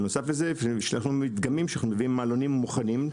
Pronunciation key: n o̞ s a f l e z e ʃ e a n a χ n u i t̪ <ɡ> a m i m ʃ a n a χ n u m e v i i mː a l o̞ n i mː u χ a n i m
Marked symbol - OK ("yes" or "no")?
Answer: yes